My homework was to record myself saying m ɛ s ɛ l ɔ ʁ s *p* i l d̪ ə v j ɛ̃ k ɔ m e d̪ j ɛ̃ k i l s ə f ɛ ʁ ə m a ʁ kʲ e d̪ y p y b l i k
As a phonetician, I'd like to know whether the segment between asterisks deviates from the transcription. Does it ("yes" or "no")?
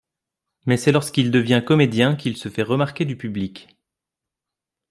yes